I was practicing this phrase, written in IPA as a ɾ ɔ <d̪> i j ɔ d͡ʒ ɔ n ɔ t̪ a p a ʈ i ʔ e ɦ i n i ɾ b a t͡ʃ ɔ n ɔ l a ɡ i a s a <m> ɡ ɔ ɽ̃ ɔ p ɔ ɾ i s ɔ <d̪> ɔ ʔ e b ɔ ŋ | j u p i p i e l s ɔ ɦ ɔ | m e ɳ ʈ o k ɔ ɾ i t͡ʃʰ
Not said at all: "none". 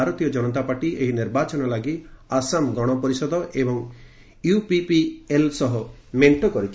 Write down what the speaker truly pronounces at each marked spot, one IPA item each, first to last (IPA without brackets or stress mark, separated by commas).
t̪, m, d̪